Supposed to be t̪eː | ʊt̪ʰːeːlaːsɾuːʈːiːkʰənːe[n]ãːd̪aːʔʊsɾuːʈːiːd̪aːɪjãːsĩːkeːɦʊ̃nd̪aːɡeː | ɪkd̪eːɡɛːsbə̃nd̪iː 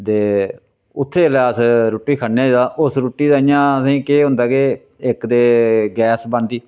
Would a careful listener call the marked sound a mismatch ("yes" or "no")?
yes